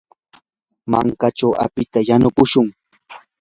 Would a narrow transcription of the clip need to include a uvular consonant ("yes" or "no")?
no